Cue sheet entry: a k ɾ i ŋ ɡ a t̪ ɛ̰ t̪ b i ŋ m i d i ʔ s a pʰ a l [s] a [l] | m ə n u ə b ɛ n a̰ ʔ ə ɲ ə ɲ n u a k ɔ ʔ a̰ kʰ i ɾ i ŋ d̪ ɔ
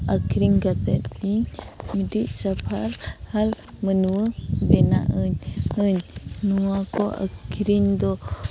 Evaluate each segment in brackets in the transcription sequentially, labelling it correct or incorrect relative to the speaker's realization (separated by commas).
incorrect, correct